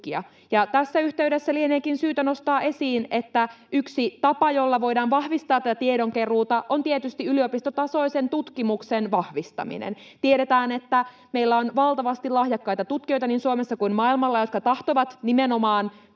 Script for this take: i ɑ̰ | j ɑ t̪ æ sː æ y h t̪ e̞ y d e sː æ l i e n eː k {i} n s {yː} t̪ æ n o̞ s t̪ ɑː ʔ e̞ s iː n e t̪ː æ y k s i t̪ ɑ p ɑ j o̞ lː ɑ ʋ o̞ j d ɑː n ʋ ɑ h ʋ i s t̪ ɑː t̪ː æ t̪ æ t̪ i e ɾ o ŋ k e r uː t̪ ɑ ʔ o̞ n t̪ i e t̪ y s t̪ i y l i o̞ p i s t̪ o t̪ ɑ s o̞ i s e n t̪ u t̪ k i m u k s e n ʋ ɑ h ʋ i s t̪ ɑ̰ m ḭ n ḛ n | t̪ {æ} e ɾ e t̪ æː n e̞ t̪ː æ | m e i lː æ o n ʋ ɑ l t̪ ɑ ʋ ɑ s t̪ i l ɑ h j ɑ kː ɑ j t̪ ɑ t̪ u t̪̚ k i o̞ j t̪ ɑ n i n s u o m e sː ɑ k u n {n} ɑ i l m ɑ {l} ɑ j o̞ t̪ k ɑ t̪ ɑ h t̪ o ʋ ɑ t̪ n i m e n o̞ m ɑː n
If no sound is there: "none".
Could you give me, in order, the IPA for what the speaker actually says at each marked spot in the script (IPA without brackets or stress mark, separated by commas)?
i, yː, i, m, lː